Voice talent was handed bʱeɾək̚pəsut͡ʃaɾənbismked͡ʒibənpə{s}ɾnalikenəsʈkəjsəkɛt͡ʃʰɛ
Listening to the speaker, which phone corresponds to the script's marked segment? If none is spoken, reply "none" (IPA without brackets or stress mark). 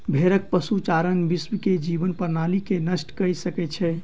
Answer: none